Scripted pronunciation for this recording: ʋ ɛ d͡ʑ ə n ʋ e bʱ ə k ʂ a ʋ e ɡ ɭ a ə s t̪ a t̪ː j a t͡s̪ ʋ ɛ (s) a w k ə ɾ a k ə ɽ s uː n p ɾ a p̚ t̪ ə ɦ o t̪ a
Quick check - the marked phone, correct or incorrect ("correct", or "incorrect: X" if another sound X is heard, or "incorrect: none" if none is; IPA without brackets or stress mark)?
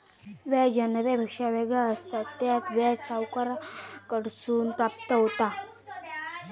correct